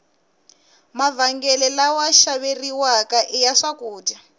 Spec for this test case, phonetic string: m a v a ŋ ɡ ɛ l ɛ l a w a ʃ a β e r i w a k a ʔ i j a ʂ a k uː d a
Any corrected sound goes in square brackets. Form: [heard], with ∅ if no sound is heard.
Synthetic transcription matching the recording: m a v a ŋ ɡ ɛ l ɛ l a w a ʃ a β e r i w a k a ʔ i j a ʂ a k uː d a